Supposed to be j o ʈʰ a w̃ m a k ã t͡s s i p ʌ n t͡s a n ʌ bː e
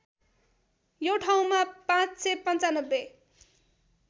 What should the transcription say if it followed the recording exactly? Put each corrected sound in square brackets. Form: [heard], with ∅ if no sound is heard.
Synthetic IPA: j o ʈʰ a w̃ m a [p] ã t͡s s [e] p ʌ n t͡s a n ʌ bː e

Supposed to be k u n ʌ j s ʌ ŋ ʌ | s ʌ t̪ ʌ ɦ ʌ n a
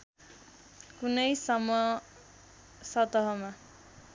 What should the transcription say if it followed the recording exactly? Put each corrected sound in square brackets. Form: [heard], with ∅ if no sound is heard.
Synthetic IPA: k u n ʌ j s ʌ [m] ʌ | s ʌ t̪ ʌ ɦ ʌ [m] a

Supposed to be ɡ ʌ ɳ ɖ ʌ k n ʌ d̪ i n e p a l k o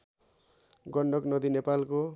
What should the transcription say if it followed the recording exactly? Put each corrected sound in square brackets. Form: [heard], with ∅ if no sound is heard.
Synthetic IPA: ɡ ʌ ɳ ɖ ʌ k n ʌ d̪ i n e p a l k o

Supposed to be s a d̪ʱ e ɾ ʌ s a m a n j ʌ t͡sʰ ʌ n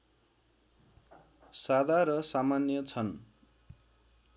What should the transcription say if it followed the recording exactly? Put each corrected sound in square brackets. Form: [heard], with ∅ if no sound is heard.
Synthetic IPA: s a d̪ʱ [a] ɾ ʌ s a m a n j ʌ t͡sʰ ʌ n

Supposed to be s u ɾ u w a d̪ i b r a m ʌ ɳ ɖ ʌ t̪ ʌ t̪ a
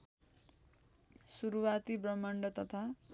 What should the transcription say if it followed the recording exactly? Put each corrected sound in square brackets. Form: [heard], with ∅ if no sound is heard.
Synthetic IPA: s u ɾ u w a [t̪] i b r [ʌ] m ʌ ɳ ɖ ʌ t̪ ʌ [t̪ʰ] a

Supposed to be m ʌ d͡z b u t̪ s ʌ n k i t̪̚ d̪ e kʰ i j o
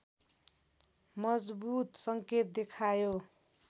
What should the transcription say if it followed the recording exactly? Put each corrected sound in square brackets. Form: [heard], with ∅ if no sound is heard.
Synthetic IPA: m ʌ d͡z b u t̪ s ʌ [ŋ] k [e] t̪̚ d̪ e kʰ [a] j o

